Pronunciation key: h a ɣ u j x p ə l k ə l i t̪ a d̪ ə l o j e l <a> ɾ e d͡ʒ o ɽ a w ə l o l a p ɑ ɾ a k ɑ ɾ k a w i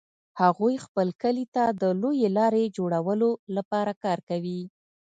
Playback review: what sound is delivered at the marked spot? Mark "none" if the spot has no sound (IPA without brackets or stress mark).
ɑ